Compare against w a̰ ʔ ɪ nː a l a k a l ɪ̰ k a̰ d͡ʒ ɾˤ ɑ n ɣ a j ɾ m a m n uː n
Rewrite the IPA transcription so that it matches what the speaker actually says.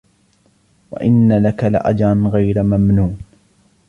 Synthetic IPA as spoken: w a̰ ʔ ɪ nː a l a k a l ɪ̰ ʔ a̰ d͡ʒ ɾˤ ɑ n ɣ a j ɾ m a m n uː n